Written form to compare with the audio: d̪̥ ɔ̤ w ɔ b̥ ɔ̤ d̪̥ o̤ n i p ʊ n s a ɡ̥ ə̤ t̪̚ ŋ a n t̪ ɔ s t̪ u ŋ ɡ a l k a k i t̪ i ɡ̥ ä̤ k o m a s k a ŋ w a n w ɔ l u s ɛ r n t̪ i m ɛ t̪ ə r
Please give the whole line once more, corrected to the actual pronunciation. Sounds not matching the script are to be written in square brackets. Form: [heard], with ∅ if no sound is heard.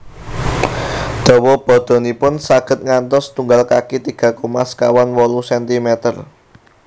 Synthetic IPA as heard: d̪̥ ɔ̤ w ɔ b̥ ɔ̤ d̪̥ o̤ n i p ʊ n s a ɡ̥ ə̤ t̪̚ ŋ a n t̪ ɔ s t̪ u ŋ ɡ a l k a k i t̪ i ɡ̥ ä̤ k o m a s k a [∅] w a n w ɔ l u s ɛ [∅] n t̪ i m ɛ t̪ ə r